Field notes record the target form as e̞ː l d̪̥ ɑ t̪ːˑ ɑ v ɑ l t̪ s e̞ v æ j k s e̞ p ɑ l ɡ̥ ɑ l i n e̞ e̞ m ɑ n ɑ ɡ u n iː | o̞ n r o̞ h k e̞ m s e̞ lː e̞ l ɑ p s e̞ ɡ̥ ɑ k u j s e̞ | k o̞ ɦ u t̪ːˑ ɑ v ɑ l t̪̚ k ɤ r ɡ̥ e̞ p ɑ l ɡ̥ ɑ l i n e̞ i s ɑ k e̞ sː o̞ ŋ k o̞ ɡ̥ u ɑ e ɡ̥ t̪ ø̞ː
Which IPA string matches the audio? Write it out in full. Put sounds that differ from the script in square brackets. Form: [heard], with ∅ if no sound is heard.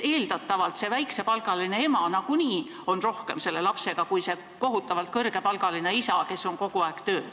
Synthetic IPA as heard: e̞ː l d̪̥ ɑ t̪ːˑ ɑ v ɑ l t̪ s e̞ v æ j k s e̞ p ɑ l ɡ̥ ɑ l i n e̞ e̞ m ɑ n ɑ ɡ u n iː | o̞ n r o̞ h k e̞ m s e̞ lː e̞ l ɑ p s e̞ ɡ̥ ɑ k u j s e̞ | k o̞ ɦ u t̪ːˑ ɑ v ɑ l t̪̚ k ɤ r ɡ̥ e̞ p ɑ l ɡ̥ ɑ l i n e̞ i s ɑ k e̞ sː o̞ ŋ k o̞ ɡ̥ u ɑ e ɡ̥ t̪ ø̞ː